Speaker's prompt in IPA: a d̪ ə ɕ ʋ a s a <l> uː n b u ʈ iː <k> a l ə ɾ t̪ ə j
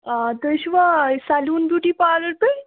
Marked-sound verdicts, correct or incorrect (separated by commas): correct, incorrect